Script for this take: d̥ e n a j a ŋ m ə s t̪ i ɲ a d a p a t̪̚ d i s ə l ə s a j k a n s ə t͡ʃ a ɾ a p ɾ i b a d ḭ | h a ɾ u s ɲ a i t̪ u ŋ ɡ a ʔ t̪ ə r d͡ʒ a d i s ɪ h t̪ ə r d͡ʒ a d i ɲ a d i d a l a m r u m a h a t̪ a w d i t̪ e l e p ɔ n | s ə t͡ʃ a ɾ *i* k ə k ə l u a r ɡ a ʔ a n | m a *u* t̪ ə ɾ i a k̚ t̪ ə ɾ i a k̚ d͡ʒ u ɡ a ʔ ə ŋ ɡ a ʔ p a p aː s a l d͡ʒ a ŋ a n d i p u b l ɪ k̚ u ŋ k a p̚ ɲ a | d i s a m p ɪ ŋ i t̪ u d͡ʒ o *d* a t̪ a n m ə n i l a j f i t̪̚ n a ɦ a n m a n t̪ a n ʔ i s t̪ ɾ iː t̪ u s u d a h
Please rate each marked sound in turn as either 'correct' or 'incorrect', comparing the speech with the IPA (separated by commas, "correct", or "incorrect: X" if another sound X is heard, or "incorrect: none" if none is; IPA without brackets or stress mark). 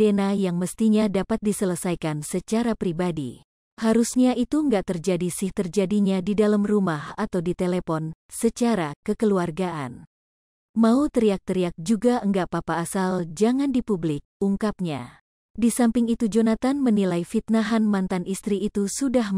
incorrect: a, correct, incorrect: n